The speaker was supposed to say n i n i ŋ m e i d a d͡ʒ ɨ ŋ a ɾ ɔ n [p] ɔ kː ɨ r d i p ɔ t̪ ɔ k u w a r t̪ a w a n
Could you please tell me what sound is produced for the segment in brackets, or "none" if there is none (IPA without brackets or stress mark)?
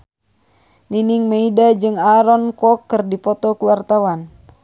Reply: k